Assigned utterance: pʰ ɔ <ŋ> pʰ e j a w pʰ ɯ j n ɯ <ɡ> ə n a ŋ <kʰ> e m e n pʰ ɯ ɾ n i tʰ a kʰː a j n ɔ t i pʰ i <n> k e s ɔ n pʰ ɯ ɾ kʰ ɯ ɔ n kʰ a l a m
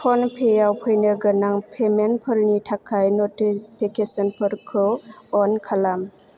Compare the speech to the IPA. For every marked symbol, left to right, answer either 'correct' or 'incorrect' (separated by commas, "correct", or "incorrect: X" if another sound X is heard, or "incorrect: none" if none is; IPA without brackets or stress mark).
incorrect: n, correct, incorrect: pʰ, incorrect: none